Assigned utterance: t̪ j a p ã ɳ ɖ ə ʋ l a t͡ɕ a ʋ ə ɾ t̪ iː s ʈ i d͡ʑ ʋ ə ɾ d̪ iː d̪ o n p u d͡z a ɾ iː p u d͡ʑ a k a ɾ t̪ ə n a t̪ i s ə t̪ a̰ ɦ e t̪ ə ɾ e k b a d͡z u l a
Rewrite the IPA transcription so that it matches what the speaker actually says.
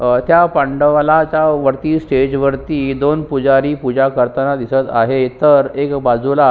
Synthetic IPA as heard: t̪ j a p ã ɳ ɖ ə ʋ l a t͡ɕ a ʋ ə ɾ t̪ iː s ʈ e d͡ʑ ʋ ə ɾ t̪ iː d̪ o n p u d͡z a ɾ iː p u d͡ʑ a k ə ɾ t̪ ə n a d̪ i s ə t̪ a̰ ɦ e t̪ ə ɾ e k b a d͡z u l a